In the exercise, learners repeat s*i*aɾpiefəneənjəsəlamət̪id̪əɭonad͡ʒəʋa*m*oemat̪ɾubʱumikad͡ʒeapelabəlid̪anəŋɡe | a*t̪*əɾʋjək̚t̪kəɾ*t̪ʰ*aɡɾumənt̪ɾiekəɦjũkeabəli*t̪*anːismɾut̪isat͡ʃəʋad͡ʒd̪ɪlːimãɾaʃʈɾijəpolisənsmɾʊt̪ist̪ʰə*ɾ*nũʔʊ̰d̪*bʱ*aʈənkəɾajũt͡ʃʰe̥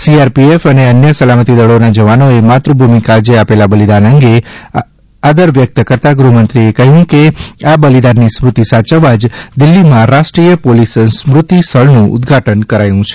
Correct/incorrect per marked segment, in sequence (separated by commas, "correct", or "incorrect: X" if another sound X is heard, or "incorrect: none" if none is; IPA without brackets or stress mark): correct, incorrect: n, incorrect: d̪, incorrect: t̪, incorrect: d̪, incorrect: ɭ, incorrect: ɡʱ